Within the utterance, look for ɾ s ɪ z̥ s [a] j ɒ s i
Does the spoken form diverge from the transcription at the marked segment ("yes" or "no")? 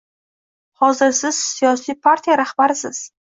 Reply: yes